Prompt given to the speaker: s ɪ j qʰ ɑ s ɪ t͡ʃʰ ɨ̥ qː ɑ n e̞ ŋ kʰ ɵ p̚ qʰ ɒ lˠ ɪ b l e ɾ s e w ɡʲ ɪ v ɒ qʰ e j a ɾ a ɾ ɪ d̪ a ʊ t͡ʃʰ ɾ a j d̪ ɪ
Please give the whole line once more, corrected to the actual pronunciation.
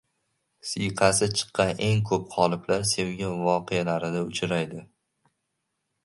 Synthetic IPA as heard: s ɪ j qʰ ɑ s ɪ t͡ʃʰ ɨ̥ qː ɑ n e̞ ŋ kʰ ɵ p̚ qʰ ɒ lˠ ɪ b l a ɾ s e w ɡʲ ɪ v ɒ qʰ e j a l a ɾ ɪ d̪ a ʊ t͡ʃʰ ɾ a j d̪ ɪ